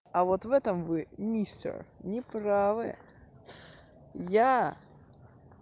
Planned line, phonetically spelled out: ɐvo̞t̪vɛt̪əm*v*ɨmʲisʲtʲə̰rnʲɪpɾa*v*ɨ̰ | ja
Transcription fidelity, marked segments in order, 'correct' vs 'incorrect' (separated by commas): correct, correct